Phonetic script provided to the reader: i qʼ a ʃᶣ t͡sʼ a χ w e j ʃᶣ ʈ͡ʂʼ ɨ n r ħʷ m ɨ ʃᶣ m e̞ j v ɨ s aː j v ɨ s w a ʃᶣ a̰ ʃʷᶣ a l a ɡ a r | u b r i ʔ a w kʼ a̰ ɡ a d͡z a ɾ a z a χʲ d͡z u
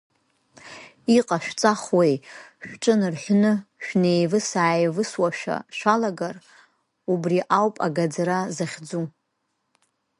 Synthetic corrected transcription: i qʼ a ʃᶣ t͡sʼ a χ w e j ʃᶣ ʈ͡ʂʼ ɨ n r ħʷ n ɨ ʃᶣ n e̞ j v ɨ s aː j v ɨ s w a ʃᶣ a̰ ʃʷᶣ a l a ɡ a r | u b r i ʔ a w pʼ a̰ ɡ a d͡z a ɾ a z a χʲ d͡z u